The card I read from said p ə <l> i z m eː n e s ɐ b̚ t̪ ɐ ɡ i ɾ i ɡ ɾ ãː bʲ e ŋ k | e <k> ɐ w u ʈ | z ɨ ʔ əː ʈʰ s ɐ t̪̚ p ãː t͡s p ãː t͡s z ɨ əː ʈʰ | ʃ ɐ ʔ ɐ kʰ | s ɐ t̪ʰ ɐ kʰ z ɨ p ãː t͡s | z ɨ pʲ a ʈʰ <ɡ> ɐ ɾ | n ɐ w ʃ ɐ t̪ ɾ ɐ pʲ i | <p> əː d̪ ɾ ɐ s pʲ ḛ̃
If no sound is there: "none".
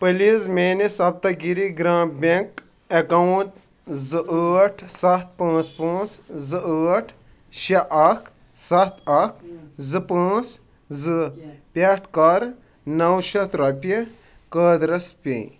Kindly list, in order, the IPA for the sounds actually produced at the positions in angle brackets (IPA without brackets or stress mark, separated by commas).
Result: l, k, k, k